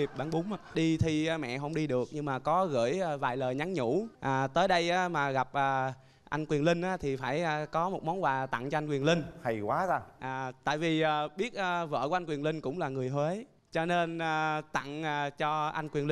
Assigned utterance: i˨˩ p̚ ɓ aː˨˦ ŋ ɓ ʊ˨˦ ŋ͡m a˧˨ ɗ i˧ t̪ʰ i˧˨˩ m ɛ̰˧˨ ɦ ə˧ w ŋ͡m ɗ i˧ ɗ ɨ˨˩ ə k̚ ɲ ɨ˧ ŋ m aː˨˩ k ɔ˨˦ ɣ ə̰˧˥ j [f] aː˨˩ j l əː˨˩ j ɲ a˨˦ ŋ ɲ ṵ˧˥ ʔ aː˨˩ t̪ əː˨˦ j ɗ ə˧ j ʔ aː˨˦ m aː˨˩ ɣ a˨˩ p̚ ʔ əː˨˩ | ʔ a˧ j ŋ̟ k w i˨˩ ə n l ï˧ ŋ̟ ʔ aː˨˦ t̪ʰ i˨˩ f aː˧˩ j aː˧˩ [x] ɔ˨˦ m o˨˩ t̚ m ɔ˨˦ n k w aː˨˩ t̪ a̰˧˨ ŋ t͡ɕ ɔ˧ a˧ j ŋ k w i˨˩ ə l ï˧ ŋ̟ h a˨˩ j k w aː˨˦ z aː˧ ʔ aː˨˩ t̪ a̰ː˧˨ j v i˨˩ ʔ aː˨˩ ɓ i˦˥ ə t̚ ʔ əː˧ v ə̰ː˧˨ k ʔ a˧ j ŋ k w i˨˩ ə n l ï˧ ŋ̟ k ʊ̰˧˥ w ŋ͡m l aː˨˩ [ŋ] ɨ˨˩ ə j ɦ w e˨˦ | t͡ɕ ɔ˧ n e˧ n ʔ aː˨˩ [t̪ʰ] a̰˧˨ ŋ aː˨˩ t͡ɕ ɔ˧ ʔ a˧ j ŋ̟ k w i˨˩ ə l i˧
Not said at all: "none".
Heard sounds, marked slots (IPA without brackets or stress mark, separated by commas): v, k, ŋ, t̪